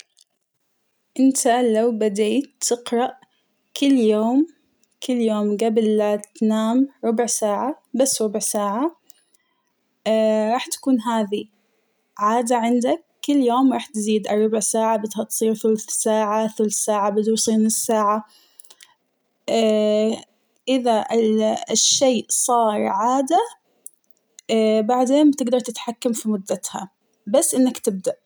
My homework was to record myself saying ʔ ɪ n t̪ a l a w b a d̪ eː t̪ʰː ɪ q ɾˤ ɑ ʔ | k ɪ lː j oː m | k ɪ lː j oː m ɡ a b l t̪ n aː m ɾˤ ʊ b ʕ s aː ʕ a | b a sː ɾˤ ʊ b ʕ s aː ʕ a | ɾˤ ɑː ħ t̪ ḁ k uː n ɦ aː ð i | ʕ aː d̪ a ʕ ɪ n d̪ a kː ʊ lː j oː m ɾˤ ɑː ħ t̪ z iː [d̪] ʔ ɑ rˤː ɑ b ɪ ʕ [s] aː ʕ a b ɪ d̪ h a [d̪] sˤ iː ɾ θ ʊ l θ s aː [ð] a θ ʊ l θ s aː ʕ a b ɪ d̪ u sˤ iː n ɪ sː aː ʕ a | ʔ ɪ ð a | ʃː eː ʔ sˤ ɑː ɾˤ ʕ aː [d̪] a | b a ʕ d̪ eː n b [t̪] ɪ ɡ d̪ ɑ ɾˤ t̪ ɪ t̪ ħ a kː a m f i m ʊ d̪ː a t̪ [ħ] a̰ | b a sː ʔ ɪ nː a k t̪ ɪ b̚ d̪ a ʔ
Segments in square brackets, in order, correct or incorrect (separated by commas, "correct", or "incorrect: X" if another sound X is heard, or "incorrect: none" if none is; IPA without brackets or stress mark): correct, correct, incorrect: t̪, incorrect: ʕ, correct, correct, incorrect: h